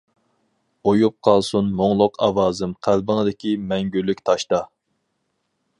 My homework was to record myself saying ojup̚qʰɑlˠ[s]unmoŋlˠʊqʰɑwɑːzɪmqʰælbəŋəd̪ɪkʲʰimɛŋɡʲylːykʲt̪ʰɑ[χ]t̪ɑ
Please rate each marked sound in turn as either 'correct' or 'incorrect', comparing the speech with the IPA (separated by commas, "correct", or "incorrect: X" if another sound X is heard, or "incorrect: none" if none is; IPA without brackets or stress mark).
correct, incorrect: ʃ